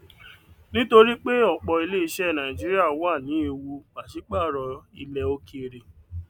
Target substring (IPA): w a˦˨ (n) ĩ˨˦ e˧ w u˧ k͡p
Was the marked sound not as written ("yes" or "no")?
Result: no